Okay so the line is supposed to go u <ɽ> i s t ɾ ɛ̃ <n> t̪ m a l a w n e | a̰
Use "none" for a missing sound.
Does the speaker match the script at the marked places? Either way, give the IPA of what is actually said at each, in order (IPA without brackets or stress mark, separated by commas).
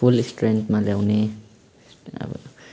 l, n